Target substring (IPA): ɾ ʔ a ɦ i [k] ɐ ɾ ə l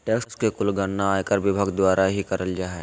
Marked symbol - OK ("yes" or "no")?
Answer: yes